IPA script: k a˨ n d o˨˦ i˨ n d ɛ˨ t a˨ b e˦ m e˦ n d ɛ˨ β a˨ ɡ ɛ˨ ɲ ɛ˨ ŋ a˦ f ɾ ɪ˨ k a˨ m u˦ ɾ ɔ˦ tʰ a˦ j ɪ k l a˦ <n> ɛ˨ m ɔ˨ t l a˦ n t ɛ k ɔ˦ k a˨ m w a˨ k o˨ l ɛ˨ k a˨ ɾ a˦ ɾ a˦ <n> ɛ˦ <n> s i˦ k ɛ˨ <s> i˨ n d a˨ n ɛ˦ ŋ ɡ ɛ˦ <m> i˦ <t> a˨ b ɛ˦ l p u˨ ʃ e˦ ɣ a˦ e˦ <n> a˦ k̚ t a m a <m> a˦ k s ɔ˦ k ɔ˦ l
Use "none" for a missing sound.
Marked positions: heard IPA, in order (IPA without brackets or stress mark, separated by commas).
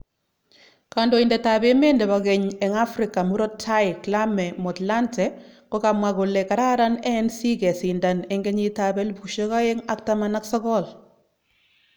m, n, n, s, ɲ, t, ŋ, n